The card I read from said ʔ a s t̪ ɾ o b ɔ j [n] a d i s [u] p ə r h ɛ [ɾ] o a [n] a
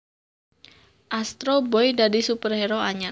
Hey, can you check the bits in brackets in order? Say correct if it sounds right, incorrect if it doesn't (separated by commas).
incorrect, correct, correct, incorrect